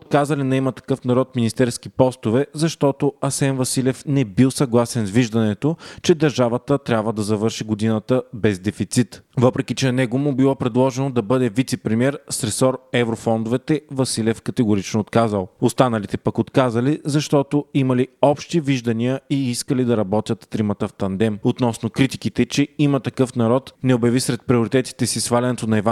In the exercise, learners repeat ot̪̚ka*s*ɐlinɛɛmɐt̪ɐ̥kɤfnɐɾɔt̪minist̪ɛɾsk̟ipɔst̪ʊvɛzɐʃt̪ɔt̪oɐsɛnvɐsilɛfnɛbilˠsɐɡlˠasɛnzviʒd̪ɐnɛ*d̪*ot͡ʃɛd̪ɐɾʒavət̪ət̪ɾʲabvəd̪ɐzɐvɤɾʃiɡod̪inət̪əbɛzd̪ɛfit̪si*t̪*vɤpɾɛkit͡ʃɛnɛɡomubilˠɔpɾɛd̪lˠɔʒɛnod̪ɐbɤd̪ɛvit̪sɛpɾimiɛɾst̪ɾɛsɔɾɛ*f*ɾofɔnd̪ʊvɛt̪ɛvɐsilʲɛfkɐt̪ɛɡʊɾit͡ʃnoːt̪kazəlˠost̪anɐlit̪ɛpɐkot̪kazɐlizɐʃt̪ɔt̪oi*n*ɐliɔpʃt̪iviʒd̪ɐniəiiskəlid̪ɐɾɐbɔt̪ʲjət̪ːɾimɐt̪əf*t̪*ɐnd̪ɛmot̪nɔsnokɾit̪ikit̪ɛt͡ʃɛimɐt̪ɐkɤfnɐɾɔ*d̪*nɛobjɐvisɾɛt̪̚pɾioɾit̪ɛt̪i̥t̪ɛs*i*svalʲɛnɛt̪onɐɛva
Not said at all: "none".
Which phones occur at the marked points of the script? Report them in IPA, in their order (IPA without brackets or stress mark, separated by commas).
z, t̪, t̪, v, m, t̪, t̪, i